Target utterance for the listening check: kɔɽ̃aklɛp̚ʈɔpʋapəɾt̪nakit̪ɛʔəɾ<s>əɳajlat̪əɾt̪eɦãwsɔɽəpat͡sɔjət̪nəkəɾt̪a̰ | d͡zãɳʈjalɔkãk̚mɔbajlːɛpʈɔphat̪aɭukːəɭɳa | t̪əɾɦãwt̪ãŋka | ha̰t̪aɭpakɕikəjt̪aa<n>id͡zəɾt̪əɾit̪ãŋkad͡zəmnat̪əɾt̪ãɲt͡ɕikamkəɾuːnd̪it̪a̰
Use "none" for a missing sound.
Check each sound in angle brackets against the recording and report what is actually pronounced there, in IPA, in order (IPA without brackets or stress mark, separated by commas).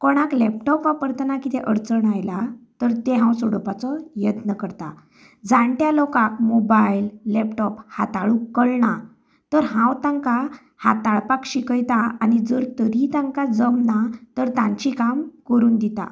t͡s, n